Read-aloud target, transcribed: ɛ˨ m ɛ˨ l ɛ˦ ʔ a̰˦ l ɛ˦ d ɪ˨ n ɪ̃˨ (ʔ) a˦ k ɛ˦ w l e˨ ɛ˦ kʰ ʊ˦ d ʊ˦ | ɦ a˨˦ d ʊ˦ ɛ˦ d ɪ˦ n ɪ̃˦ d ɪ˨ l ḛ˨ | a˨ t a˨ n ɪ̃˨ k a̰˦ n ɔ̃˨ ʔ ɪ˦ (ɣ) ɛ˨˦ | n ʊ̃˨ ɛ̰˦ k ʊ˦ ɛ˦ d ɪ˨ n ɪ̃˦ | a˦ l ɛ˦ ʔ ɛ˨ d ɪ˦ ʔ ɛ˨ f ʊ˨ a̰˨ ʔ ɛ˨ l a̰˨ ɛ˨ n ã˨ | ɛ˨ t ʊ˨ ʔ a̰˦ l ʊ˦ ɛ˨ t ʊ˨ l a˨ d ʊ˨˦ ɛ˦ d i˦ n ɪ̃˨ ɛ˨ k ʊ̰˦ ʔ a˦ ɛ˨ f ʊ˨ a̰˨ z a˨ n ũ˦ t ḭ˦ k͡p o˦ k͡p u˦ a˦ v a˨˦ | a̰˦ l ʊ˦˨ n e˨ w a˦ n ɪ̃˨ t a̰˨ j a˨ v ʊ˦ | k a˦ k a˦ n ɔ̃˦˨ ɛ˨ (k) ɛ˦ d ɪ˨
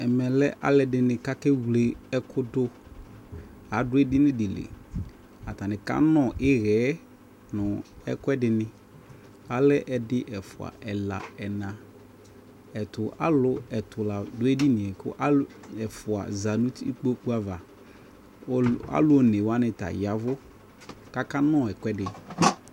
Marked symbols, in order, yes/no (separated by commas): no, yes, yes